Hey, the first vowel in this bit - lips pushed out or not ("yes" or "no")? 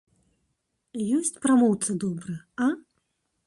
yes